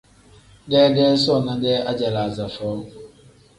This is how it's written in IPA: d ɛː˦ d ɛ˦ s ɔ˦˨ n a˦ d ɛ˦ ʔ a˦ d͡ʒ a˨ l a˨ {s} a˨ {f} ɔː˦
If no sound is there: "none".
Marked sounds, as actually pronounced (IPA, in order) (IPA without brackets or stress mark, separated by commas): z, f